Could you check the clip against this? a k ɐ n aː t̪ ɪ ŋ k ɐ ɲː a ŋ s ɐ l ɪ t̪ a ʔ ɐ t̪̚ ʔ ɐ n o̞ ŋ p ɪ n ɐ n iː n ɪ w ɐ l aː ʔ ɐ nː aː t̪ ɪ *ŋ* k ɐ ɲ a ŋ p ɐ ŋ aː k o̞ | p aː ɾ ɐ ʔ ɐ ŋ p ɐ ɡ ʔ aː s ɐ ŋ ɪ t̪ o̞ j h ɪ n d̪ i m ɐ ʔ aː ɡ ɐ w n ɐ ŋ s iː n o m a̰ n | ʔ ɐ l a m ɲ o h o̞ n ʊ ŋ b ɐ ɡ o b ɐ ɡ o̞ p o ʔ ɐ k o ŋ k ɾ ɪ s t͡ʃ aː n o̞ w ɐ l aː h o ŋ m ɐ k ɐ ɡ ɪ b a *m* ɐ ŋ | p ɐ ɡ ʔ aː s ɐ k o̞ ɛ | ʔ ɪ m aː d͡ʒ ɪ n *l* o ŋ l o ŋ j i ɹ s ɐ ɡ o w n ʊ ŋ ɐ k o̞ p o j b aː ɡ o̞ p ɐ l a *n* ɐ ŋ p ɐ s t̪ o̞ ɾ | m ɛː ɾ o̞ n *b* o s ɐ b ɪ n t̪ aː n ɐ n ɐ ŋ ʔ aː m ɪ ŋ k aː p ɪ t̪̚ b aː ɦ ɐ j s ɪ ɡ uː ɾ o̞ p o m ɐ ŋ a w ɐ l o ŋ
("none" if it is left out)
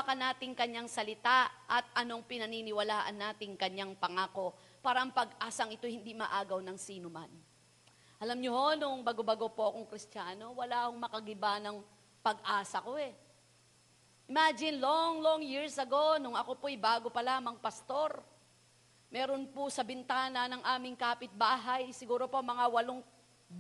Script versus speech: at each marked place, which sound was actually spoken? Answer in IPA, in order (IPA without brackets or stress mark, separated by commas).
ŋ, n, l, m, p